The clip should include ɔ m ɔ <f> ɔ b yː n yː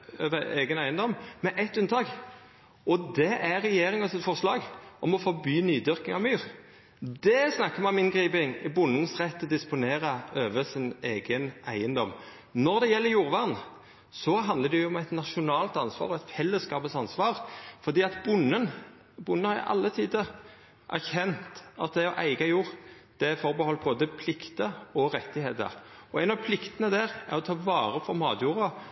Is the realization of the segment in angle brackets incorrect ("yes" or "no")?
no